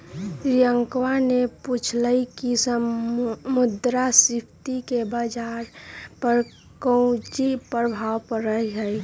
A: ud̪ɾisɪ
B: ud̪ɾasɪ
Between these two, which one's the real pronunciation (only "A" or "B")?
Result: B